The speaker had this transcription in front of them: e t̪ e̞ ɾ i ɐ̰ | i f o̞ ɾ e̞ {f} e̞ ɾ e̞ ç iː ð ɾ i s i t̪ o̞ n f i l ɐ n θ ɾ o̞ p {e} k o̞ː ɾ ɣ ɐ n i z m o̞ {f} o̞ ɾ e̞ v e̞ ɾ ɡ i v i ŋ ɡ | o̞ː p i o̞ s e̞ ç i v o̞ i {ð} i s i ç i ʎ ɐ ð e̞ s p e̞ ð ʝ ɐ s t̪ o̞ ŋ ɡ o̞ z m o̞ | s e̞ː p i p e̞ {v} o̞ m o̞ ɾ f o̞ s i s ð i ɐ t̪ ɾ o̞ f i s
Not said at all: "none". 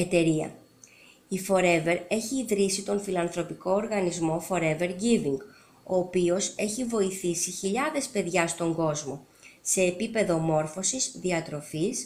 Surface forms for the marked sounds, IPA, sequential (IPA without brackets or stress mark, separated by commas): v, i, f, θ, ð